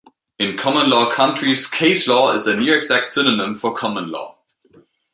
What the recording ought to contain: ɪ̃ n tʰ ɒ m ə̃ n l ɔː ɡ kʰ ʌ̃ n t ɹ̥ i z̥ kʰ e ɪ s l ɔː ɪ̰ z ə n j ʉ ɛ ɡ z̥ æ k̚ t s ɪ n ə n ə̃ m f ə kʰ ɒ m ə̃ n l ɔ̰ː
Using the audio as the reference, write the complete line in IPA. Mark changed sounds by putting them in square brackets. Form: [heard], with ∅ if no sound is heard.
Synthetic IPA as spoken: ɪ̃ n [kʰ] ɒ m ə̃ n l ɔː [∅] kʰ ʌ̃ n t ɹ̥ i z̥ kʰ e ɪ s l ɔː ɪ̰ z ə n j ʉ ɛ ɡ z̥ æ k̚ t s ɪ n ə n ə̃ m f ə kʰ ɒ m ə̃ n l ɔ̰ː